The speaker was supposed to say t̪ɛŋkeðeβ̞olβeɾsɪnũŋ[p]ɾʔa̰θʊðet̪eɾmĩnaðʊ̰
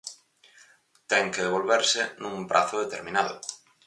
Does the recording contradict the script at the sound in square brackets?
no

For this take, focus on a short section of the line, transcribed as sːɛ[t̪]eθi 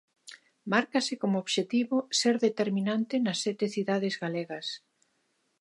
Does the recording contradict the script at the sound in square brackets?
no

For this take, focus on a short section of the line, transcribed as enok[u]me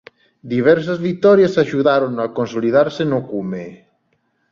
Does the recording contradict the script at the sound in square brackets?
no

